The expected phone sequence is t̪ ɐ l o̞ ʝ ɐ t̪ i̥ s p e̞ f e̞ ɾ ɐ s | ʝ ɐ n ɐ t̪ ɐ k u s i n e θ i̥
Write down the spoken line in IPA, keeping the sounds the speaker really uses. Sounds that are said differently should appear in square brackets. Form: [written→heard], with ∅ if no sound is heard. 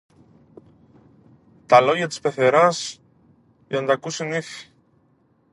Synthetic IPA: t̪ ɐ l o̞ ʝ ɐ t̪ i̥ s p e̞ [f→θ] e̞ ɾ ɐ s | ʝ ɐ n ɐ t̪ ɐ k u s i n [e→i] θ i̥